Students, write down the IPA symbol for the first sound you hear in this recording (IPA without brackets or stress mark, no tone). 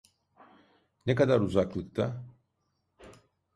n